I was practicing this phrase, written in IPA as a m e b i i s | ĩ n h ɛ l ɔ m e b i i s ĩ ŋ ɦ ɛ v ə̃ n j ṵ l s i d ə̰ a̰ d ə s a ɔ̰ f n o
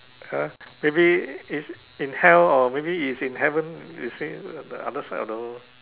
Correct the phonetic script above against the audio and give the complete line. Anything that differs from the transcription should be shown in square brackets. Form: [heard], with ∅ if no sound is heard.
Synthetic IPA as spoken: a m e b i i s | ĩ n h ɛ l ɔ m e b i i s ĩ [n] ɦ ɛ v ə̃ n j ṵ [∅] s i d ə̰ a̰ d ə s a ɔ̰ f [d] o

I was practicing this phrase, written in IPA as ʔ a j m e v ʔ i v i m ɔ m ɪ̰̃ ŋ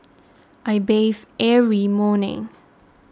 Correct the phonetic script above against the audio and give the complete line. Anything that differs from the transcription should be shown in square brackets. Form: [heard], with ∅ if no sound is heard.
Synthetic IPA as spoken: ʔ a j [b] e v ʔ [ɛ] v i m ɔ [n] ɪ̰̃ ŋ

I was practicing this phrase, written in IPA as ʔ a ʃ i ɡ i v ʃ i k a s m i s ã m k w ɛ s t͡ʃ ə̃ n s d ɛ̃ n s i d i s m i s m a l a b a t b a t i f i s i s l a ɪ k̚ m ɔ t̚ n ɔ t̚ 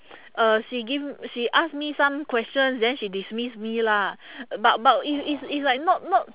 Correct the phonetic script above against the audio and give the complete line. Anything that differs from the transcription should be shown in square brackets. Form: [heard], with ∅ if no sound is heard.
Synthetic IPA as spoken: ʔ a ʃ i ɡ i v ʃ i [ʔ] a s m i s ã m k w ɛ s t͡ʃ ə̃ n s d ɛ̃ n [ʃ] i d i s m i s m [i] l a b a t b a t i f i s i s l a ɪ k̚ [n] ɔ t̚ n ɔ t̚

